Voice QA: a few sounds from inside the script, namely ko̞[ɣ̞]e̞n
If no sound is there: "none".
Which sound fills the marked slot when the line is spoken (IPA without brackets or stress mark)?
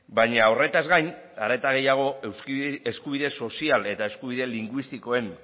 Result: none